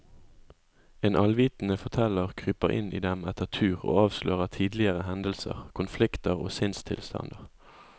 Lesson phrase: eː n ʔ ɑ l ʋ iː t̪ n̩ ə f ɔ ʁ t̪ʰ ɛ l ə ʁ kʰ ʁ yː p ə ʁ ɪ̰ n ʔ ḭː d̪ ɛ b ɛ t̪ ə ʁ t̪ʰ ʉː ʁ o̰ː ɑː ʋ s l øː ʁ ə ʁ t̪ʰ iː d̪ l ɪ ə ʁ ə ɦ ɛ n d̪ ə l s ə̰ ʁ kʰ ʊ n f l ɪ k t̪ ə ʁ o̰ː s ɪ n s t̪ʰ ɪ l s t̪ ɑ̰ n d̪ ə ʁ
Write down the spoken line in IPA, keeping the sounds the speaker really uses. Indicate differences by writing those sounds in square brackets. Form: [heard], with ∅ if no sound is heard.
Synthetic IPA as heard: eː n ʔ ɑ l ʋ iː t̪ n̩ ə f ɔ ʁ t̪ʰ ɛ l ə ʁ kʰ ʁ yː p ə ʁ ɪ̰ n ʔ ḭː d̪ ɛ [m] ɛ t̪ ə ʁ t̪ʰ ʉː ʁ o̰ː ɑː ʋ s l øː ʁ ə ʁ t̪ʰ iː d̪ l ɪ ə ʁ ə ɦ ɛ n d̪ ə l s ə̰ ʁ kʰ ʊ n f l ɪ k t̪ ə ʁ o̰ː s ɪ n s t̪ʰ ɪ l s t̪ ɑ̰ n d̪ ə ʁ